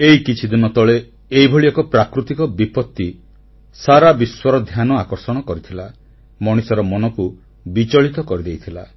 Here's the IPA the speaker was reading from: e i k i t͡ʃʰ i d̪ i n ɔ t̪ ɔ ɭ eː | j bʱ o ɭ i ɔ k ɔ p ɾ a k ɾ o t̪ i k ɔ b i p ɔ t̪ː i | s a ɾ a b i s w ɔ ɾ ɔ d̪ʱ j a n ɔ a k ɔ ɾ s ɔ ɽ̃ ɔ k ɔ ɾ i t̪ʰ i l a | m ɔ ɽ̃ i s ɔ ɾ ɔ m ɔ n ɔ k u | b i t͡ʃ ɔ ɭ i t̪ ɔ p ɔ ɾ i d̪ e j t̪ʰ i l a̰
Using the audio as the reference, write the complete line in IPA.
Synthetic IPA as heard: e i k i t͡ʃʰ i d̪ i n ɔ t̪ ɔ ɭ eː | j bʱ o ɭ i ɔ k ɔ p ɾ a k ɾ u t̪ i k ɔ b i p ɔ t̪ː i | s a ɾ a b i s w ɔ ɾ ɔ d̪ʱ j a n ɔ a k ɔ ɾ s ɔ ɽ̃ ɔ k ɔ ɾ i t̪ʰ i l a | m ɔ ɽ̃ i s ɔ ɾ ɔ m ɔ n ɔ k u | b i t͡ʃ ɔ ɭ i t̪ ɔ k ɔ ɾ i d̪ e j t̪ʰ i l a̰